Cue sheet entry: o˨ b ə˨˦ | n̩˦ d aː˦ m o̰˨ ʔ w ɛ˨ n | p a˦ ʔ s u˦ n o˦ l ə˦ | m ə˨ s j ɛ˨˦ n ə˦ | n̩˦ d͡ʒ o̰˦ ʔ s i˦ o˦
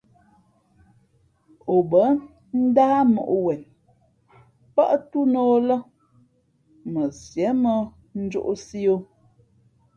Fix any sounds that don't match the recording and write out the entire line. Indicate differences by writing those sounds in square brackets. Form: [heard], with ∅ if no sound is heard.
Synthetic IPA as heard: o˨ b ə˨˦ | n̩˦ d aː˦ m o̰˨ ʔ w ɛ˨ n | p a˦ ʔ [t] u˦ n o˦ l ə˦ | m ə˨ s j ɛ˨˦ [m] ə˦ | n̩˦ d͡ʒ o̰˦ ʔ s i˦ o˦